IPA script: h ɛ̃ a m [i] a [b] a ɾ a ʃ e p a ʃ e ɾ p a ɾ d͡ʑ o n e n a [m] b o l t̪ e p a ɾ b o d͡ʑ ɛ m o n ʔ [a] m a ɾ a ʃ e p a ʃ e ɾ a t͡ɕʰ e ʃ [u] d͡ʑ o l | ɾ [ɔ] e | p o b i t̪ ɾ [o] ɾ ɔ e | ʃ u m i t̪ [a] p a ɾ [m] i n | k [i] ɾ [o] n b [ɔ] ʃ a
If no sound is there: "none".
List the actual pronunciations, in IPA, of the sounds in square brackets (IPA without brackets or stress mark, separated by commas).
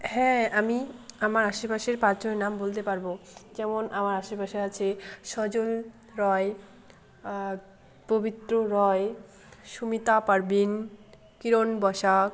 i, m, m, a, ɔ, ɔ, o, a, b, i, o, ɔ